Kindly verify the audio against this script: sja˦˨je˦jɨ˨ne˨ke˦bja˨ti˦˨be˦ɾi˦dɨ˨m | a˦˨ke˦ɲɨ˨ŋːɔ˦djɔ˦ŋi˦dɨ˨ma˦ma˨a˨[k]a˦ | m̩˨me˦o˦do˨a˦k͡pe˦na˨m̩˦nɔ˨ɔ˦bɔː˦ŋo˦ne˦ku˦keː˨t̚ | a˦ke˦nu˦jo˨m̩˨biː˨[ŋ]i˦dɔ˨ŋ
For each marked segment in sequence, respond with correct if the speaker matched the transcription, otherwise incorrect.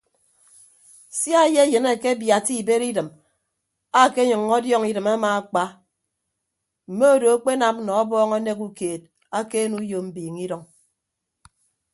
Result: incorrect, correct

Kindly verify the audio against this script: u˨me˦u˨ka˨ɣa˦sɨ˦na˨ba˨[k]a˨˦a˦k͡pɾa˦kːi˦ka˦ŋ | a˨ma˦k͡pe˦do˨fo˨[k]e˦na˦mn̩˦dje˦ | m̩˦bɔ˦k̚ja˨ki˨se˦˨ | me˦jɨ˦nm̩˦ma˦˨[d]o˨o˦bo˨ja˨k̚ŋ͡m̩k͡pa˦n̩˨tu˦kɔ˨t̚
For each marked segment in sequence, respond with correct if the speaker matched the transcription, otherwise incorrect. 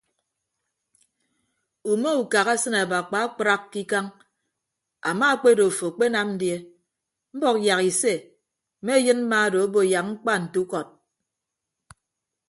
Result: incorrect, incorrect, correct

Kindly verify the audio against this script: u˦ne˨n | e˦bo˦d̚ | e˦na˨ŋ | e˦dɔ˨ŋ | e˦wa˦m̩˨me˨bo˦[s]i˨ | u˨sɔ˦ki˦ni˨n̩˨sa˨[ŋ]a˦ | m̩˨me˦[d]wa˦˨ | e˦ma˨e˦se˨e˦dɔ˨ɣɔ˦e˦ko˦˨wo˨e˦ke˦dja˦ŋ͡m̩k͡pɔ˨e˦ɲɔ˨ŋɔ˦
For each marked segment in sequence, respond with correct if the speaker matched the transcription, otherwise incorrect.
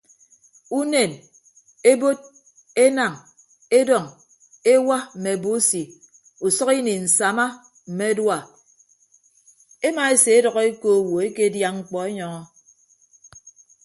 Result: correct, incorrect, correct

